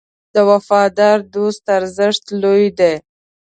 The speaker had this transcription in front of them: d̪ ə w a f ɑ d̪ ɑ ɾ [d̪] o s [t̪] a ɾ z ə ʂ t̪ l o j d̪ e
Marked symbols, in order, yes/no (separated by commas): yes, yes